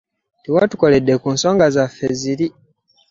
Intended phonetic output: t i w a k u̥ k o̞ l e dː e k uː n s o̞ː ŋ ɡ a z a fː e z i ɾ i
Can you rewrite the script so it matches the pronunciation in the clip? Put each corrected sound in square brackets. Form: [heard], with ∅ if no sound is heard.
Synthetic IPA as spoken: t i w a [t] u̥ k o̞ l e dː e k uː n s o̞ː ŋ ɡ a z a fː e z i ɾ i